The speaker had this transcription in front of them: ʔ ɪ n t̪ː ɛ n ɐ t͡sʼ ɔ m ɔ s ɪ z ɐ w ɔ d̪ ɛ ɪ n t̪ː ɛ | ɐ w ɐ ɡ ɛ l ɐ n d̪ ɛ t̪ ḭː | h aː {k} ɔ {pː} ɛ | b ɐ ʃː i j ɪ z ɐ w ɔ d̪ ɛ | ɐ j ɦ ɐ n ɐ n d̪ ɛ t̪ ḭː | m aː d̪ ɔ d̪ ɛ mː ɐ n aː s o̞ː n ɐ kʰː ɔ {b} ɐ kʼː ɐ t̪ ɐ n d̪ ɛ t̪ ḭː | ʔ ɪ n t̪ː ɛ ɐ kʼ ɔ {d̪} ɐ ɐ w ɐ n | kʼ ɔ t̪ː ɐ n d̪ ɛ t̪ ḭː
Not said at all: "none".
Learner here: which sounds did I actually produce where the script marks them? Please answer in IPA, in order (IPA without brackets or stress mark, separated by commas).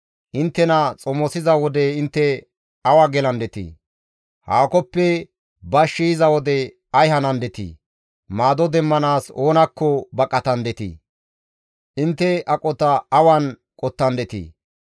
k, pː, b, t̪